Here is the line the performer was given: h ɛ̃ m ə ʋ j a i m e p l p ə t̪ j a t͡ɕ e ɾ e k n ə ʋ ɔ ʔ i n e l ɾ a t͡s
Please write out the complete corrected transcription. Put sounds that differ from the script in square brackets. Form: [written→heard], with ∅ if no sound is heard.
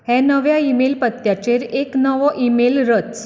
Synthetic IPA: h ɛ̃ [m→n] ə ʋ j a i m e [p→∅] l p ə t̪ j a t͡ɕ e ɾ e k n ə ʋ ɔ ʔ i [n→m] e l ɾ [a→ə] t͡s